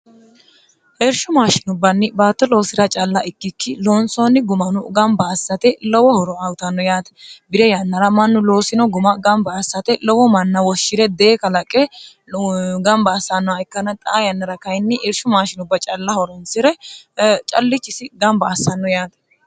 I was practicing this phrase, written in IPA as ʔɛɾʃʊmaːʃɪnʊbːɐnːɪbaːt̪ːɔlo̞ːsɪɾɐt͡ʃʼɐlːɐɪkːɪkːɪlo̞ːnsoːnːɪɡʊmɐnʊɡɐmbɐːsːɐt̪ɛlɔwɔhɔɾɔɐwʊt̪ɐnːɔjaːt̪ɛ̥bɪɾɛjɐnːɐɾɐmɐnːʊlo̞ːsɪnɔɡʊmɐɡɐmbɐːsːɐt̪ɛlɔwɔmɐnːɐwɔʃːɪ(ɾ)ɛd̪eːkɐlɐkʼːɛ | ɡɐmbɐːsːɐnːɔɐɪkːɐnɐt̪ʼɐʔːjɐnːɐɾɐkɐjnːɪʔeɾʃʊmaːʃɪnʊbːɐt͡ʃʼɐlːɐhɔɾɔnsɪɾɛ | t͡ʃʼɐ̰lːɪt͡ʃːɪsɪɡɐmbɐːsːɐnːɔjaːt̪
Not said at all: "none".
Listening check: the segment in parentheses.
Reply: ɾ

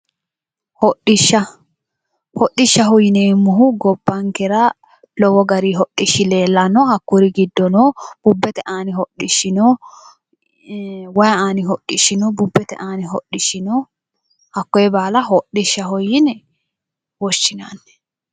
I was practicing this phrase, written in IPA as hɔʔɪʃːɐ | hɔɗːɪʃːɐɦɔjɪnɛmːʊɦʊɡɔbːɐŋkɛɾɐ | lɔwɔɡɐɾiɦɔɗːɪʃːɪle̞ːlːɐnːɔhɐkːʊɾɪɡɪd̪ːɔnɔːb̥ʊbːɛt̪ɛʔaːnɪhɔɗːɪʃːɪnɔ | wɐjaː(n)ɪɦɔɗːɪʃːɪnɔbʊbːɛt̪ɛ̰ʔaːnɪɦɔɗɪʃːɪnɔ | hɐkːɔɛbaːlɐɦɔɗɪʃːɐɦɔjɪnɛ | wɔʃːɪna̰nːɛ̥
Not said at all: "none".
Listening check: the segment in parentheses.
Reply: n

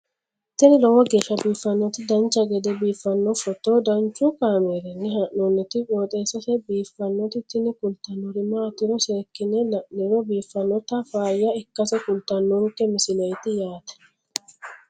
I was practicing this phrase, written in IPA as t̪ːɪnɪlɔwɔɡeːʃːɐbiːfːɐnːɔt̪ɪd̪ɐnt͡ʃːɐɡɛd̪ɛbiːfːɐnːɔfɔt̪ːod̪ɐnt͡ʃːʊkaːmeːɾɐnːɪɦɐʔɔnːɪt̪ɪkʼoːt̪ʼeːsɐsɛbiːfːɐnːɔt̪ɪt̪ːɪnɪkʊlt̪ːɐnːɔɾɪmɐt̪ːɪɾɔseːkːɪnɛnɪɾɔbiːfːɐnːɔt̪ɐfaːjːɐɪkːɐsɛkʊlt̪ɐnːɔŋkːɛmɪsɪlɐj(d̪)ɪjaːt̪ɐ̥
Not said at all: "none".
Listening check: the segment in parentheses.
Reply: t̪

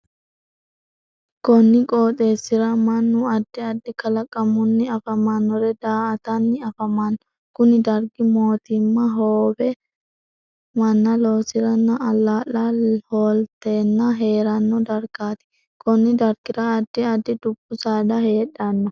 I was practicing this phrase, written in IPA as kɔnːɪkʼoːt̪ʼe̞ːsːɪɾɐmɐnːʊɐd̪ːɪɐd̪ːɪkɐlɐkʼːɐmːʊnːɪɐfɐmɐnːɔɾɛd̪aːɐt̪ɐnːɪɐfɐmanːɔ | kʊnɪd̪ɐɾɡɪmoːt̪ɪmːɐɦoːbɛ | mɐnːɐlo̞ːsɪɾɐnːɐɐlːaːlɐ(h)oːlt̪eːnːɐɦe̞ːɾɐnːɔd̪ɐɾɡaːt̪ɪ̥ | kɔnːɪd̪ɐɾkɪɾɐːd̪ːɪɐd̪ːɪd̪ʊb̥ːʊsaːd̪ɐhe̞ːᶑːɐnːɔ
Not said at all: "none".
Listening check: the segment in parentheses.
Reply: h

